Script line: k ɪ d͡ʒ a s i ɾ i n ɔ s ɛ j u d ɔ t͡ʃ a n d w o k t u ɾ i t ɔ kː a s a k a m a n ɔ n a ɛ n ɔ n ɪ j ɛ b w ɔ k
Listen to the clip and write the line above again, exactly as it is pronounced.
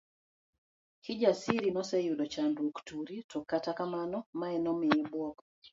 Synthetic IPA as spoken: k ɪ d͡ʒ a s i ɾ i n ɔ s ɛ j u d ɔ t͡ʃ a n d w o k t u ɾ i t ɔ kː a t a k a m a n ɔ m a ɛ n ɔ m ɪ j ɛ b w ɔ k